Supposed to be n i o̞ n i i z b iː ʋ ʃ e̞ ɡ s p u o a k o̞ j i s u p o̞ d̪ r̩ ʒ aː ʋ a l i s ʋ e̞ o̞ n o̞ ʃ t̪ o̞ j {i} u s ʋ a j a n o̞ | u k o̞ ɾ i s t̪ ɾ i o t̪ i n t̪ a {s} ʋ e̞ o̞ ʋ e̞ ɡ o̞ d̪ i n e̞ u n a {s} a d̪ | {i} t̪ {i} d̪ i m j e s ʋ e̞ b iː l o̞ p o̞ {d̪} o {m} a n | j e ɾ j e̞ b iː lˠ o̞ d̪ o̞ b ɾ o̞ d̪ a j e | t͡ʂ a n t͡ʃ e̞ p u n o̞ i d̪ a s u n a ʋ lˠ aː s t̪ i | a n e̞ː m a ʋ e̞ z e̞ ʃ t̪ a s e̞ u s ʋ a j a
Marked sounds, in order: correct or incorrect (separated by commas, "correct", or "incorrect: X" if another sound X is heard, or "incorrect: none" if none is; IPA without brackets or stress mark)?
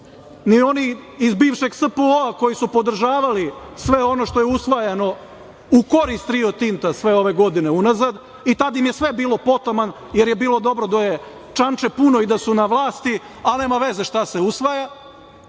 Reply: incorrect: e, correct, incorrect: z, correct, incorrect: a, incorrect: t̪, correct